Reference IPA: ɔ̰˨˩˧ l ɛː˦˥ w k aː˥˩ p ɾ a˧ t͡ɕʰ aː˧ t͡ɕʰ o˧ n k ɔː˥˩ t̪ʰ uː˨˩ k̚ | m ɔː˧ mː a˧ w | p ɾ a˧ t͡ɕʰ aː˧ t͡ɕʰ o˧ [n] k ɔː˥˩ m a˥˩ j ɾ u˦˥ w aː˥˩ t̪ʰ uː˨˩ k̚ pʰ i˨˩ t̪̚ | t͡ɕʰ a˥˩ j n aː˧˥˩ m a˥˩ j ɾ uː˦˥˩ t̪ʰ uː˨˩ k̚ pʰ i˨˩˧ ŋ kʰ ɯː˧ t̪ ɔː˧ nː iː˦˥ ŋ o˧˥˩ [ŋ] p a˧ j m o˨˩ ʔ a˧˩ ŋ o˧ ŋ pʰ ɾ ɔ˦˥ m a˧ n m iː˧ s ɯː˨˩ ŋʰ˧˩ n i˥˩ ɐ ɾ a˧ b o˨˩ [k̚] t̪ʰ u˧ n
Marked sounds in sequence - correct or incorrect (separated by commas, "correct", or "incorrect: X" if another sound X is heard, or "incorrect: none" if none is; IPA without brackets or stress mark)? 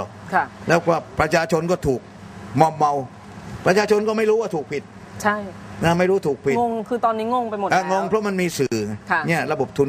correct, correct, incorrect: p̚